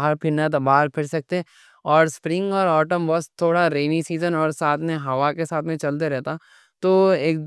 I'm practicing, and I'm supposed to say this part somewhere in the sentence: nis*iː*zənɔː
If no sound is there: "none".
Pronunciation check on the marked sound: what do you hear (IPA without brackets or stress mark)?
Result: iː